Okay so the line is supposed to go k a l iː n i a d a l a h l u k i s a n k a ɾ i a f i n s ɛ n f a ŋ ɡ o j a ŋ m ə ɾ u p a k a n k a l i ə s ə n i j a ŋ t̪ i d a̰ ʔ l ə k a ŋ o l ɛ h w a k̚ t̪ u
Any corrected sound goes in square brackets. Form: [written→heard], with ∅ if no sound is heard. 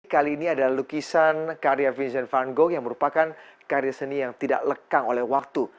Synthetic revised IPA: k a l iː n i a d a l a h l u k i s a n k a ɾ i a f i n s ɛ n f a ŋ ɡ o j a ŋ m ə ɾ u p a k a n k a [l→ɾ] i [ə→a] s ə n i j a ŋ t̪ i d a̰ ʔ l ə k a ŋ o l ɛ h w a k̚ t̪ u